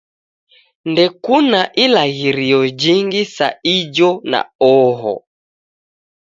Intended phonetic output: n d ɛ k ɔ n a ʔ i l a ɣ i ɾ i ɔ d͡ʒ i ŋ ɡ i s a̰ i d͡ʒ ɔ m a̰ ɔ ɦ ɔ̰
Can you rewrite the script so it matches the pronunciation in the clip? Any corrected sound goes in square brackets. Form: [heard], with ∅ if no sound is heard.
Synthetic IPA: n d ɛ k [u] n a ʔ i l a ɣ i ɾ i ɔ d͡ʒ i ŋ ɡ i s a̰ i d͡ʒ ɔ [n] a̰ ɔ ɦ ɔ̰

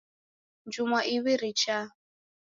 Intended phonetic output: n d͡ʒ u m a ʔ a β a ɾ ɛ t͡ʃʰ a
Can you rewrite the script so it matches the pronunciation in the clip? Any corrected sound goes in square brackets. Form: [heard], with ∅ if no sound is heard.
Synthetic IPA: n d͡ʒ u m a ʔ [i] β [i] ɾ [i] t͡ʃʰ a

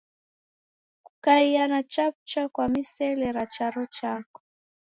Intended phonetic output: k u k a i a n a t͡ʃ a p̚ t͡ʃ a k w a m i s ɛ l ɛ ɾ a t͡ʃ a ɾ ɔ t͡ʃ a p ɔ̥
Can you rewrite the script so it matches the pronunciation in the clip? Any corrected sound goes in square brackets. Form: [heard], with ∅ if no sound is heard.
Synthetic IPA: k u k a i a n a t͡ʃ a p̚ t͡ʃ a k w a m i s ɛ l ɛ ɾ a t͡ʃ a ɾ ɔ t͡ʃ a [k] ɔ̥

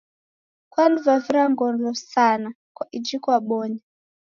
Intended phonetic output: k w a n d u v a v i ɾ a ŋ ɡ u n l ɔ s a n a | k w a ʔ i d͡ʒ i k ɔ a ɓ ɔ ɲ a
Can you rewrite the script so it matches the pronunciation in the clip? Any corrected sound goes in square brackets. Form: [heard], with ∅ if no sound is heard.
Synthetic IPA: k w a n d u v a v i ɾ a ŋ ɡ [ɔ] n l ɔ s a n a | k w a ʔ i d͡ʒ i k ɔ a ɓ ɔ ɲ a

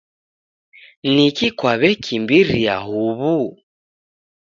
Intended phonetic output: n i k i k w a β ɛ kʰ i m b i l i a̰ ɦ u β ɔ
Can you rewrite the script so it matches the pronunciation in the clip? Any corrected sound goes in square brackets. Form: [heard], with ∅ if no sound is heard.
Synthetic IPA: n i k i k w a β ɛ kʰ i m b i [ɾ] i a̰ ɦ u β [u]

